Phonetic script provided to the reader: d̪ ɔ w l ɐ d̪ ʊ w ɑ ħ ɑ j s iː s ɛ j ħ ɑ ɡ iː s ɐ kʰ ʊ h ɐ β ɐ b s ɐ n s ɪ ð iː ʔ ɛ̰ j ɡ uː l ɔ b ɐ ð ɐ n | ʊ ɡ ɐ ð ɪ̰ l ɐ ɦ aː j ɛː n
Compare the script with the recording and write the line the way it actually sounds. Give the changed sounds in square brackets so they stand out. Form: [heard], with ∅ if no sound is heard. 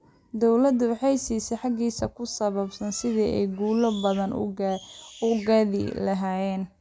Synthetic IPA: d̪ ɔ w l ɐ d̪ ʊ w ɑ ħ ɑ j s iː s ɛ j ħ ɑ ɡ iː s ɐ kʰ ʊ [s] ɐ β ɐ b s ɐ n s ɪ ð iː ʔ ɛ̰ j ɡ uː l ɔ b ɐ ð ɐ n | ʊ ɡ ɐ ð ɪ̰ l ɐ ɦ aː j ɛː n